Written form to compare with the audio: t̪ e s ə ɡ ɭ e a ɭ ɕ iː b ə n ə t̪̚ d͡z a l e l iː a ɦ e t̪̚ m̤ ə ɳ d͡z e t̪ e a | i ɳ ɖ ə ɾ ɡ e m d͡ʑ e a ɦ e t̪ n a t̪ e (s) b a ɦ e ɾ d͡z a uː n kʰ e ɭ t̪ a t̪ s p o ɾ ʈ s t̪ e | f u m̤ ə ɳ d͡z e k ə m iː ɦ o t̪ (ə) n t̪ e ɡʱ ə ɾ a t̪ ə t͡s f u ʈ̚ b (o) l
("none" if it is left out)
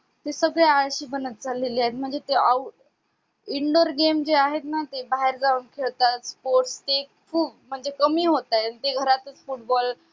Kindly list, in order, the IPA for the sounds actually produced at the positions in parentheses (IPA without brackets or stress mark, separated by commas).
none, a, ɔ